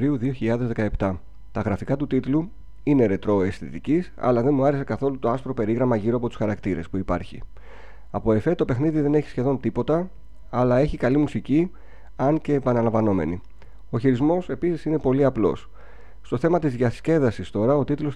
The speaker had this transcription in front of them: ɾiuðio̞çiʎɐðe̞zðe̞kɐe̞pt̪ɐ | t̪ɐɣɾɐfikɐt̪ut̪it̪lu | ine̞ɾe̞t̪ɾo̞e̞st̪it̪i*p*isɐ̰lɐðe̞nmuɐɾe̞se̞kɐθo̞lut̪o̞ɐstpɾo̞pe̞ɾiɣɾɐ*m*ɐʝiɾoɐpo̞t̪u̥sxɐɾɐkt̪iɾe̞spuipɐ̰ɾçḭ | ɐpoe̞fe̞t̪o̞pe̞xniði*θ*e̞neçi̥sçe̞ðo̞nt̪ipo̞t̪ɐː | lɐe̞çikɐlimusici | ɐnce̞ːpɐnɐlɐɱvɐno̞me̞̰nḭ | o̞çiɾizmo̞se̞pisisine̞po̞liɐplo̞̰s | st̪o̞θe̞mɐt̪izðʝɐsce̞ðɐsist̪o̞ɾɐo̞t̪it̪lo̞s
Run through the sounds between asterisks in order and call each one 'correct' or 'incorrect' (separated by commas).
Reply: incorrect, correct, incorrect